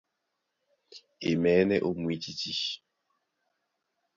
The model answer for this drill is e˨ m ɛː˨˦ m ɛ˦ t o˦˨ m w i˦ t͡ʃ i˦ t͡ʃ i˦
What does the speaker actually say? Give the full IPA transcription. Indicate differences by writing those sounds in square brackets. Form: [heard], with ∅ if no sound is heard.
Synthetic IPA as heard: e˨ m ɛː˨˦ [n] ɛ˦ [ʔ] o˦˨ m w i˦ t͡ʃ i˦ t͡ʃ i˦

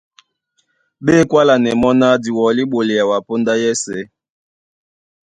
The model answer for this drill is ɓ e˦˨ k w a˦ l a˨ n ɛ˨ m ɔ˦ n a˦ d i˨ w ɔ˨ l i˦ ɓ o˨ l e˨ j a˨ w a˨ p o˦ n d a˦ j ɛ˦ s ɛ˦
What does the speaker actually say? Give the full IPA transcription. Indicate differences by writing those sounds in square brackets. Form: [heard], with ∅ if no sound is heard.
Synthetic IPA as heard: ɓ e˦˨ k w a˦ l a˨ n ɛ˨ m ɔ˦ n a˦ d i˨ w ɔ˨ l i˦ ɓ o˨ l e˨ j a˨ w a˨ p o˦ n d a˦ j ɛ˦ s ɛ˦

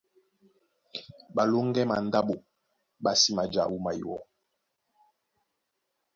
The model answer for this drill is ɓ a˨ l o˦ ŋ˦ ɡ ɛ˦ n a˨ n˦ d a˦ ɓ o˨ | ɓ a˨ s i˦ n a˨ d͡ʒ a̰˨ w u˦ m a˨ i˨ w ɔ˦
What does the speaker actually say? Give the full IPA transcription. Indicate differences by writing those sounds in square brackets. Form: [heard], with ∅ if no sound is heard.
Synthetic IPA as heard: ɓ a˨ l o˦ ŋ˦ ɡ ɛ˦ [m] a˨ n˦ d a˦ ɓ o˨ | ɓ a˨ s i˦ [m] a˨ d͡ʒ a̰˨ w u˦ m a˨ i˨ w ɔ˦

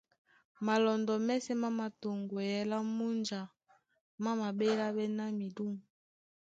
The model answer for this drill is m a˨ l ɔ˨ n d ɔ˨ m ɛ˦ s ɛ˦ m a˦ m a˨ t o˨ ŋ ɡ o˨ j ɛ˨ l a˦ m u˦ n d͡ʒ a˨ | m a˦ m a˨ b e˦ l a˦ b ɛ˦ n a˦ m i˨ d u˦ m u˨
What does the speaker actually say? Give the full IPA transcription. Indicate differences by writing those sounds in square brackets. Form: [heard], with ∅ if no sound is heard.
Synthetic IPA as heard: m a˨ l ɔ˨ n d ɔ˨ m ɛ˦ s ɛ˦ m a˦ m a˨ t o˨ ŋ ɡ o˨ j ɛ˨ l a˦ m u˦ n d͡ʒ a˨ | m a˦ m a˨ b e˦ l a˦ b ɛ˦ n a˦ m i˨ d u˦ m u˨

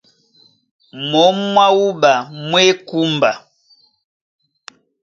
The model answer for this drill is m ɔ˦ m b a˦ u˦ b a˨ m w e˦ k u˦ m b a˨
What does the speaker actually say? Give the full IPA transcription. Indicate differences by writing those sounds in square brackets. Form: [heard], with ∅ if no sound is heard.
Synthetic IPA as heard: m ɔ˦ m [w] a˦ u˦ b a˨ m w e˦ k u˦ m b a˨

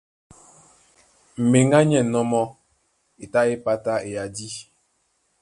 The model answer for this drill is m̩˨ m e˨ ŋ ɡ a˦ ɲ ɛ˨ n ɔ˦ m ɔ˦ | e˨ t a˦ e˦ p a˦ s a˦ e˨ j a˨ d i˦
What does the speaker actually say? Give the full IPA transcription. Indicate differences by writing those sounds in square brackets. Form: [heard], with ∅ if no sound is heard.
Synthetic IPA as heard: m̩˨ m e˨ ŋ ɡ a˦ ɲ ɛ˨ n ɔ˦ m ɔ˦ | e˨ t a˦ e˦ p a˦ [t] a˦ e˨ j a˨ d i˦

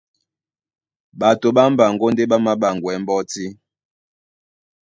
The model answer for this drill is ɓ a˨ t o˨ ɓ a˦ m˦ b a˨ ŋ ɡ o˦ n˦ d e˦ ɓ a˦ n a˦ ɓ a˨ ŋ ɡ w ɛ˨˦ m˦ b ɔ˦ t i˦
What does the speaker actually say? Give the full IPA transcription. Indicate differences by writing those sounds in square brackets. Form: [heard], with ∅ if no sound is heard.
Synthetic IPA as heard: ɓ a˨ t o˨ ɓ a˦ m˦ b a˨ ŋ ɡ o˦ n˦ d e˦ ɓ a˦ [m] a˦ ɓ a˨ ŋ ɡ w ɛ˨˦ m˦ b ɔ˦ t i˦

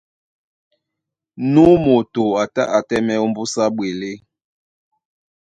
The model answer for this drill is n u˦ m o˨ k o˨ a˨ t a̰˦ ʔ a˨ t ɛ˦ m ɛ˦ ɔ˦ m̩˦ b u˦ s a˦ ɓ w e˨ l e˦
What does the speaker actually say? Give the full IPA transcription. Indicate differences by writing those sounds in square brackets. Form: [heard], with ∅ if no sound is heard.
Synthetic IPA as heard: n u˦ m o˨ [t] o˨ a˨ t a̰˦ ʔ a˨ t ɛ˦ m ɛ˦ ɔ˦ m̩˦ b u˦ s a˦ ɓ w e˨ l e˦

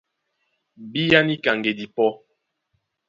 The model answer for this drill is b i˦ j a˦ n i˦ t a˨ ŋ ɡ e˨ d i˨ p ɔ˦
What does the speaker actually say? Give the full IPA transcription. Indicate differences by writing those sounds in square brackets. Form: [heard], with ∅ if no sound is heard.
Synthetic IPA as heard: b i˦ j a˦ n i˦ [k] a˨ ŋ ɡ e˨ d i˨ p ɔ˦

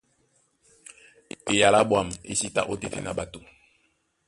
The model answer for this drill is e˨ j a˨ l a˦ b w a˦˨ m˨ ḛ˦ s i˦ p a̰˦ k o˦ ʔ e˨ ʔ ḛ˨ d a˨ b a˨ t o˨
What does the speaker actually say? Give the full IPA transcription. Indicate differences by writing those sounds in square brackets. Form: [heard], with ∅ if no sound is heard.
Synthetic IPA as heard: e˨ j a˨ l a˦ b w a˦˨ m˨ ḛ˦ s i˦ [t] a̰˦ [ʔ] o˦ [t] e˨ [t] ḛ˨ [n] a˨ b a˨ t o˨

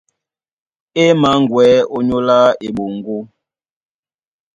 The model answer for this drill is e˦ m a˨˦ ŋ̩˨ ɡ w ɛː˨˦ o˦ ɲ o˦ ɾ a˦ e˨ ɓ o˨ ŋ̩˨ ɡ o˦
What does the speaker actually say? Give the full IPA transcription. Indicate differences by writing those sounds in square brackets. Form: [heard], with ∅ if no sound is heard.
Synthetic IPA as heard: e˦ m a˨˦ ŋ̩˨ ɡ w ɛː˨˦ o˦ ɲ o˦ [l] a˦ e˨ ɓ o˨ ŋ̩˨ ɡ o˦

